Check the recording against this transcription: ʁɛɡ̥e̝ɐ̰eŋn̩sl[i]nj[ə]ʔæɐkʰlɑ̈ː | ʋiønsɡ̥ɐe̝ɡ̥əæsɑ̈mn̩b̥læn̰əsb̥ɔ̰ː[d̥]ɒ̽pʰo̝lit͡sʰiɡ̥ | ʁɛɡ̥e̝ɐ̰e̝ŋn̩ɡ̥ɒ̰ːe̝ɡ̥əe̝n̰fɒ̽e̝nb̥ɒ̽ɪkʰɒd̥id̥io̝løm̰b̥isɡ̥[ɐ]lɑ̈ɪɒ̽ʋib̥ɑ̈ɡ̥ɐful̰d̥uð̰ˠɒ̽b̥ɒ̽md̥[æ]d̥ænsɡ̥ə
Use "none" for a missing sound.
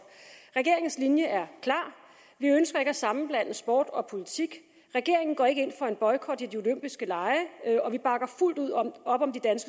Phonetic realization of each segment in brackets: i, ə, d̥, ə, i

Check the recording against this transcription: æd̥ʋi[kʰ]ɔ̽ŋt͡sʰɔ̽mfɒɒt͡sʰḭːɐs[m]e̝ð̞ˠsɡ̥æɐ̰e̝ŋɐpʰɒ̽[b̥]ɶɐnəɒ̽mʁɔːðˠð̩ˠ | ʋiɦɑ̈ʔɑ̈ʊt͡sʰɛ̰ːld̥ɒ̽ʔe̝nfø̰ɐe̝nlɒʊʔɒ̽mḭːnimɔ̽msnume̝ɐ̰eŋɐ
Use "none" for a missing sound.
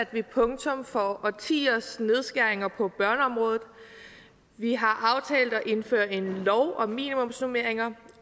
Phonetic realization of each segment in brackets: pʰ, n, b̥

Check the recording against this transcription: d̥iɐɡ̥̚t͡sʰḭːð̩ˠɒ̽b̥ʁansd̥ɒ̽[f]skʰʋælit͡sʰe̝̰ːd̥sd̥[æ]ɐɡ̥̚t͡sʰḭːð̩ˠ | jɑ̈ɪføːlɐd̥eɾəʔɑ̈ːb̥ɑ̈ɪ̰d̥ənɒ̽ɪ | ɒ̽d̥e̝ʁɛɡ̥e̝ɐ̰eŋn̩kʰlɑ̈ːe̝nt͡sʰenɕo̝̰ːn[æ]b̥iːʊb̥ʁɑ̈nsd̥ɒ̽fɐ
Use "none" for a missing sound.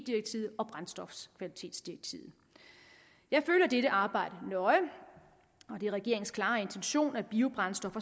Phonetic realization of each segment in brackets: f, i, æ

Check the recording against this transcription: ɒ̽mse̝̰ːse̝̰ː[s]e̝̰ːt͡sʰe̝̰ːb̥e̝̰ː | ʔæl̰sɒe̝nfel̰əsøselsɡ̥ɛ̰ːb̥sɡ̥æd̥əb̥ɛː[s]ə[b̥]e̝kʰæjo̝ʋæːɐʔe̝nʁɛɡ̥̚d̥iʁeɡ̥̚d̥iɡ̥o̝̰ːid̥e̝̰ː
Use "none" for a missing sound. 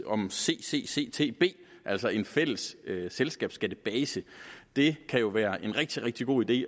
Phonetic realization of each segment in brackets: s, s, d̥

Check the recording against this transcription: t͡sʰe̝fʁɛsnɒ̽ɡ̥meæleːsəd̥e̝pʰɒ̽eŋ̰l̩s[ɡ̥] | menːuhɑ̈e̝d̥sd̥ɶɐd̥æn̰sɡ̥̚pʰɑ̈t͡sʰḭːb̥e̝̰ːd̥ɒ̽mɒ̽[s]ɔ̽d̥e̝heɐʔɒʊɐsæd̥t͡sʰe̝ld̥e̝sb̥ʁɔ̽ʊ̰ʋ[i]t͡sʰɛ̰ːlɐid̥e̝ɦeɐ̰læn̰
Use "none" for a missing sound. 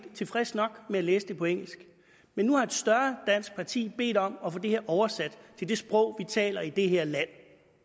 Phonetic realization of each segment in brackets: ɡ̥, f, i

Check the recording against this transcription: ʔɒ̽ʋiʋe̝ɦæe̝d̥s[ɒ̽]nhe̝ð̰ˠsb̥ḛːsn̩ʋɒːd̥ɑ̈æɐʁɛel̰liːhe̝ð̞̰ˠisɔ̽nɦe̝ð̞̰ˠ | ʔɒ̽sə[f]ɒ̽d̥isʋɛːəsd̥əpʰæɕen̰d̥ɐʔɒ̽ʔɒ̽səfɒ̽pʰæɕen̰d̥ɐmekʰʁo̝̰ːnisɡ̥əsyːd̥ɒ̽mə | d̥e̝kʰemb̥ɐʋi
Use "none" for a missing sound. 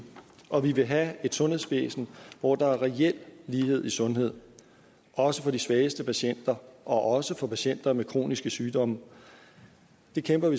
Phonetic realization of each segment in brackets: ɔ̽, f

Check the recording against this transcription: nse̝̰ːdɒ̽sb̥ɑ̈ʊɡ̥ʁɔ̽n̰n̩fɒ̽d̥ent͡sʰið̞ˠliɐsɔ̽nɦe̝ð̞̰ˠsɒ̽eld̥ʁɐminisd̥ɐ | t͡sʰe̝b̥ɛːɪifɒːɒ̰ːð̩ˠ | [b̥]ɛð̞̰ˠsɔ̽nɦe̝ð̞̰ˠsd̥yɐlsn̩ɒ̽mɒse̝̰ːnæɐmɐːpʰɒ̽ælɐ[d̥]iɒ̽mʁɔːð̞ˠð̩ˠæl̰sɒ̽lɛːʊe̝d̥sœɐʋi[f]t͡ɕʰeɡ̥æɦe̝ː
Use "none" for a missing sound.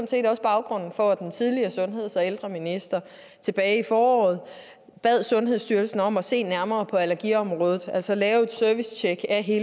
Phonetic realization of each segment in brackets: b̥, ɡ̥, s

